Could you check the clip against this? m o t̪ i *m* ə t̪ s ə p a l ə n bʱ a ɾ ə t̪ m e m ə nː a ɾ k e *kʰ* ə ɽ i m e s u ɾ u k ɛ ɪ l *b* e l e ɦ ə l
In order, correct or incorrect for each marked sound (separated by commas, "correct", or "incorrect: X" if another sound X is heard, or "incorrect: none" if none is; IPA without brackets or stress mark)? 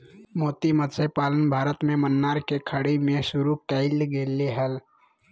correct, correct, incorrect: ɡ